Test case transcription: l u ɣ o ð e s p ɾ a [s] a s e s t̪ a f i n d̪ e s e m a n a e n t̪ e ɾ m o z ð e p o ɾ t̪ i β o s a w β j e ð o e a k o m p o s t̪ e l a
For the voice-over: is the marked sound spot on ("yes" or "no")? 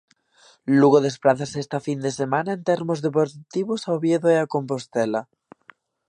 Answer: no